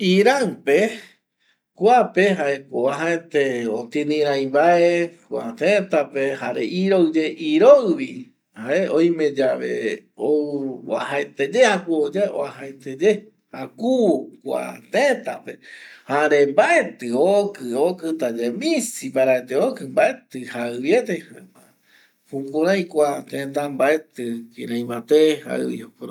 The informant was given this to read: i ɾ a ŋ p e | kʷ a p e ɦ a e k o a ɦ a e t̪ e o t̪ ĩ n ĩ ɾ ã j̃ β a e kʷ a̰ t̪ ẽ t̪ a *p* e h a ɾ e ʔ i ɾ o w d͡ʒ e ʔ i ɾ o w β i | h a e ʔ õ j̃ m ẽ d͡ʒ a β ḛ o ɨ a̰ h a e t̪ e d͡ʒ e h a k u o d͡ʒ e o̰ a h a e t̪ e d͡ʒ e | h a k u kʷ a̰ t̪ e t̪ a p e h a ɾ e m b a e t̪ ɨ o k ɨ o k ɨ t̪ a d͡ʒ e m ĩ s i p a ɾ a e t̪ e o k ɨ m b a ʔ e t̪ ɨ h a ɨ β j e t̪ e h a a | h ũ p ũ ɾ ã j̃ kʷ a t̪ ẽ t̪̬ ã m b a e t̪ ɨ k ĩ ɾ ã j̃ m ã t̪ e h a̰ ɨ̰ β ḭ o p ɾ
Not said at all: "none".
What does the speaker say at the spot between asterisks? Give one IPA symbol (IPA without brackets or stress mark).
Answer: p